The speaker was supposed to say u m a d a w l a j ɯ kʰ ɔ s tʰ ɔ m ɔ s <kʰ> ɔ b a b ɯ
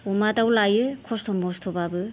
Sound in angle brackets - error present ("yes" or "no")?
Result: yes